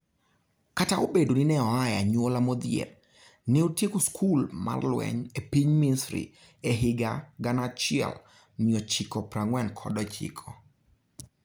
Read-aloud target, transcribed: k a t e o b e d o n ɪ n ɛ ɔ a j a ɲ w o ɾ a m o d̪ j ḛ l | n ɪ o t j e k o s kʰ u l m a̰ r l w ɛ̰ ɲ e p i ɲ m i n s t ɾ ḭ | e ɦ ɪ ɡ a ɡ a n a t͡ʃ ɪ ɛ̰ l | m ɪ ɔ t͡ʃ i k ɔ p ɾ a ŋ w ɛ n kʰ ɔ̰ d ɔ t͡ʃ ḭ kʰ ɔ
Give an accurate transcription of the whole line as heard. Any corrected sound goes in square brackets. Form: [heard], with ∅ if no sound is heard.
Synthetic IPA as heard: k a t [a] o b e d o n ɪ n ɛ ɔ a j a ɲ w o [l] a m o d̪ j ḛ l | n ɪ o t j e k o s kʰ u l m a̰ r l w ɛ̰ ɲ e p i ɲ m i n s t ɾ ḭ | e ɦ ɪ ɡ a ɡ a n a t͡ʃ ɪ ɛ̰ l | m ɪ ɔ t͡ʃ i k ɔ p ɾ a ŋ w ɛ n kʰ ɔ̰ d ɔ t͡ʃ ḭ kʰ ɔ